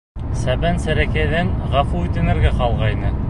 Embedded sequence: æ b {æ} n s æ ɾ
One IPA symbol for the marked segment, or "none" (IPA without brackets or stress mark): æ